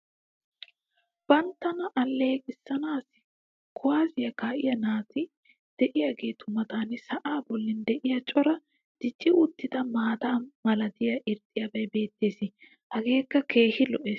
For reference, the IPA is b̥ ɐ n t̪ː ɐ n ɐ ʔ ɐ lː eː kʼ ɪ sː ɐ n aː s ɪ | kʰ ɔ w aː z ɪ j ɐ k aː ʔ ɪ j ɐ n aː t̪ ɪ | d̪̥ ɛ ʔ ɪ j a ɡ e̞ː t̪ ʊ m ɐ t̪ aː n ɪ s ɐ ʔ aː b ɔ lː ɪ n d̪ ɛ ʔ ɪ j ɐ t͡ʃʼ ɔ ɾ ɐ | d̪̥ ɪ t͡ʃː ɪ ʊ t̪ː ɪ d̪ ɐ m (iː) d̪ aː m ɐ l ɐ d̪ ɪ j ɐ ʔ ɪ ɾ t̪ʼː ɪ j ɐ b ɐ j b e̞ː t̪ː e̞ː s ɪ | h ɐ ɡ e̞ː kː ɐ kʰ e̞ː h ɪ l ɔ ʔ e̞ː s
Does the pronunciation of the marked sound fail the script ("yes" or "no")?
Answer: yes